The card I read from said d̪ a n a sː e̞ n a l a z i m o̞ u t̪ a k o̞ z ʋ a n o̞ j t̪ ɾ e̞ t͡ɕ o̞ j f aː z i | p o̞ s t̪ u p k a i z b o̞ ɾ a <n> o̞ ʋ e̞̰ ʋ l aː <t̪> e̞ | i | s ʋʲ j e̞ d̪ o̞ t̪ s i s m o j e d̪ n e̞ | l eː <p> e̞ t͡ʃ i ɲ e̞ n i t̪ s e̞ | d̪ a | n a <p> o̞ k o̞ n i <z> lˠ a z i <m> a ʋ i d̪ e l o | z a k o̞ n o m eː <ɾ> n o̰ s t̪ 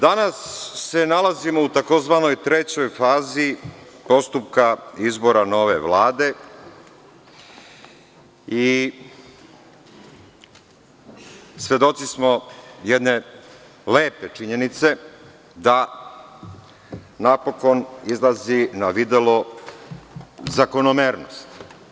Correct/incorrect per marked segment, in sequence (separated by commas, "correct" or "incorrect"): correct, incorrect, correct, correct, correct, incorrect, correct